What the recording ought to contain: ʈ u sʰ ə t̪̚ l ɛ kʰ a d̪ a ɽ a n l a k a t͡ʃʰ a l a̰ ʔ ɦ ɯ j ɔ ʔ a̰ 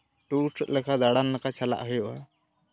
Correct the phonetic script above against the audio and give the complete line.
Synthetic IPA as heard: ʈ u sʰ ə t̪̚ l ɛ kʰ a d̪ a ɽ a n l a k a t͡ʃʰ a l a̰ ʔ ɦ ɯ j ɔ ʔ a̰